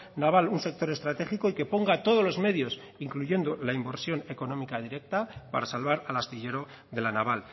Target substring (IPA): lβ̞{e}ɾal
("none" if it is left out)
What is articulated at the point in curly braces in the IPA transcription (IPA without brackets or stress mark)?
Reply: a